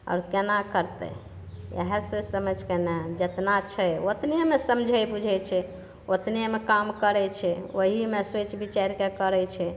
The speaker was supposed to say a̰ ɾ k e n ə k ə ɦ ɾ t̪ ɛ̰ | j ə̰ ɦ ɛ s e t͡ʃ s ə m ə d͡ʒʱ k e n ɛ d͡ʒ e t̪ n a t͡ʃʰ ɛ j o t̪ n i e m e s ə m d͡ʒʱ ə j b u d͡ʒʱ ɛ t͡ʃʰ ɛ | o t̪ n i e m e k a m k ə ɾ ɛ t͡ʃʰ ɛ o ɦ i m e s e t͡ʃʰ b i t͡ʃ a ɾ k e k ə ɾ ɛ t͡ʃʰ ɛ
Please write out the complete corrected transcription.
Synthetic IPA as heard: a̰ ɾ k e n a k ə ɾ t̪ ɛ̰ | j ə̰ ɦ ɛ s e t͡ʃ s ə m ə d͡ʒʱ k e n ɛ d͡ʒ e t̪ n a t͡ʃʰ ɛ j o t̪ n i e m e s ə m d͡ʒʱ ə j b u d͡ʒʱ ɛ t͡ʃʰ ɛ | o t̪ n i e m e k a m k ə ɾ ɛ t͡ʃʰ ɛ o ɦ i m e s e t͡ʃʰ b i t͡ʃ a ɾ k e k ə ɾ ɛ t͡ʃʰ ɛ

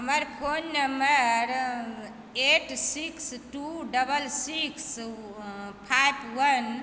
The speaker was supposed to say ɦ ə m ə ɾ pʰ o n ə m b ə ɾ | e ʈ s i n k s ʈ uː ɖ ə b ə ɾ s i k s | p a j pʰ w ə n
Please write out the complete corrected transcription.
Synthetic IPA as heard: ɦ ə m ə ɾ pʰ o nː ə m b ə ɾ | e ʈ s i k s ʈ u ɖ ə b ə l s i k s | pʰ a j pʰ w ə n

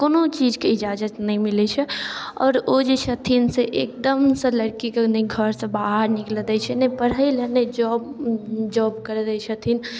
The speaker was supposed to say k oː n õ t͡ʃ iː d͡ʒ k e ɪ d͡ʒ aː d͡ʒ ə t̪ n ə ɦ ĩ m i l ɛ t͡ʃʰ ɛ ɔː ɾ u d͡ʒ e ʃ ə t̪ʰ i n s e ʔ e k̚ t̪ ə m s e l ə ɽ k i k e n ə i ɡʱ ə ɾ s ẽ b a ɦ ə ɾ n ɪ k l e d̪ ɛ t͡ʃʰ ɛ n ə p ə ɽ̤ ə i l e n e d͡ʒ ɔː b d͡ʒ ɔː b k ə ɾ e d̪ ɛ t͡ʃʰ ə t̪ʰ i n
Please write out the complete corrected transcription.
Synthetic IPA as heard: k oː n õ t͡ʃ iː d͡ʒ k e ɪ d͡ʒ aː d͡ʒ ə t̪ n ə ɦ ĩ m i l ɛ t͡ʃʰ ɛ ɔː ɾ o d͡ʒ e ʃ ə t̪ʰ i n s e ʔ e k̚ d̪ ə m s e l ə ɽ k i k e n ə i ɡʱ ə ɾ s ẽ b a ɦ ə ɾ n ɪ k l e d̪ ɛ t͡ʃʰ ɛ n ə p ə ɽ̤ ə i l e n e d͡ʒ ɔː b d͡ʒ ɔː b k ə ɾ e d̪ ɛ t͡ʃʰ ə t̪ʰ i n

